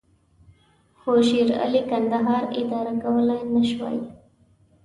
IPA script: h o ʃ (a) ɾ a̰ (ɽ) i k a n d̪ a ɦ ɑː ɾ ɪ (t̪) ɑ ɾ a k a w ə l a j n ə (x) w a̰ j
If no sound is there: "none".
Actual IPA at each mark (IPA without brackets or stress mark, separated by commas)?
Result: i, l, d̪, ʃ